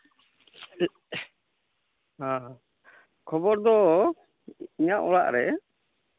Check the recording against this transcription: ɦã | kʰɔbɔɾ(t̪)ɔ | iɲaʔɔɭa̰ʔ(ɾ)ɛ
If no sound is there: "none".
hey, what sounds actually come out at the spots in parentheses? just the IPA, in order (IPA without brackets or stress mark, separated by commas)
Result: d̪, ɾ